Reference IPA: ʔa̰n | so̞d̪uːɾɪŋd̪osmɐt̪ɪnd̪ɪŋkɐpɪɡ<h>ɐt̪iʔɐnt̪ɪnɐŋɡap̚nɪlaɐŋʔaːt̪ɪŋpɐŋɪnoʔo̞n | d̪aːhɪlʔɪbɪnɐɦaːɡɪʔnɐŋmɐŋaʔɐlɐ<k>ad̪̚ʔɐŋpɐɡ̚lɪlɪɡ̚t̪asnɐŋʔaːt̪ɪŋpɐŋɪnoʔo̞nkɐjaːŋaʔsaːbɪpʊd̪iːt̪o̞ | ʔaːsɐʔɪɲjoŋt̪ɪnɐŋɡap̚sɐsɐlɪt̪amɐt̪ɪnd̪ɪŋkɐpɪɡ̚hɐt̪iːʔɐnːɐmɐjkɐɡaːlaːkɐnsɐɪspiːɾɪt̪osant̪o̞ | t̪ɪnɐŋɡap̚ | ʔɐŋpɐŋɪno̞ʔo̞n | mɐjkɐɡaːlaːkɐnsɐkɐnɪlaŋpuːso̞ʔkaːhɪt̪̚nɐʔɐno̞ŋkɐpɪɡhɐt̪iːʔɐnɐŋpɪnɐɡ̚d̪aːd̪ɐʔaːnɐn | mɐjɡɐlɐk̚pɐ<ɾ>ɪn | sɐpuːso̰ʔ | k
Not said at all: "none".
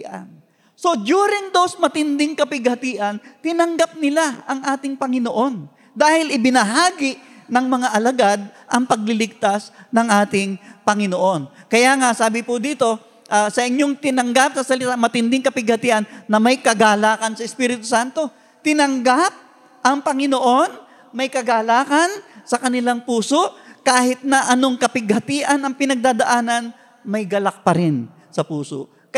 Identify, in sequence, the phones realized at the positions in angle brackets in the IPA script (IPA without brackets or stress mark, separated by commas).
h, ɡ, ɾ